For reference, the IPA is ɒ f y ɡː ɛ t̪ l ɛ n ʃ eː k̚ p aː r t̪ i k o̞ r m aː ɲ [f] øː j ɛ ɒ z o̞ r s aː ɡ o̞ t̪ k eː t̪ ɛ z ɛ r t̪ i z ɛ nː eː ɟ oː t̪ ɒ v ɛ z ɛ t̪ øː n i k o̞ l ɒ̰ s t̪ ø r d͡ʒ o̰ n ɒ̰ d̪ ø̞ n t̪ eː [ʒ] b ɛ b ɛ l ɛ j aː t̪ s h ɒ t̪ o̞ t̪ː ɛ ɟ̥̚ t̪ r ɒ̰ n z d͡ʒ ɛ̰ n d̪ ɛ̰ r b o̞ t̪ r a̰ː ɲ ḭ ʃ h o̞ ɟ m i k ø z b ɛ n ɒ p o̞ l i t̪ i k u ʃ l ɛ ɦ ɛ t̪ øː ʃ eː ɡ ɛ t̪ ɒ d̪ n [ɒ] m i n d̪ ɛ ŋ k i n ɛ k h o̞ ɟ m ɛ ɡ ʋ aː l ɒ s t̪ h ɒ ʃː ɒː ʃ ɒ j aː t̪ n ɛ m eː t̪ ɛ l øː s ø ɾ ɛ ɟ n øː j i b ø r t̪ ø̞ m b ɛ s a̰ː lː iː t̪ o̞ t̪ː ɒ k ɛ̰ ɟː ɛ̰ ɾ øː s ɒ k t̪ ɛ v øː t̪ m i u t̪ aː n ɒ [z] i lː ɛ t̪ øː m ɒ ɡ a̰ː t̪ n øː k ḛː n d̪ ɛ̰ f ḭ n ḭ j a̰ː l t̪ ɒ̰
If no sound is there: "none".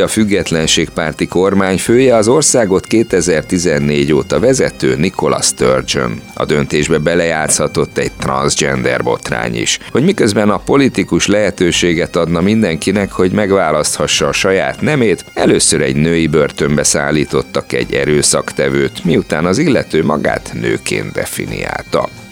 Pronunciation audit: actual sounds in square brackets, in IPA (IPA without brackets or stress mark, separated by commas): f, ʒ, ɒ, z